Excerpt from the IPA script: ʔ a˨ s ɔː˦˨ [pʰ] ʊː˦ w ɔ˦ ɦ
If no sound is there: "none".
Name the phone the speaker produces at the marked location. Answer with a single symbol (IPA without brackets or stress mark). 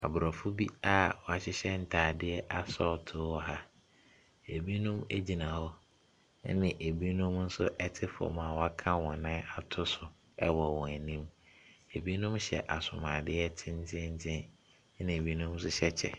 tʰ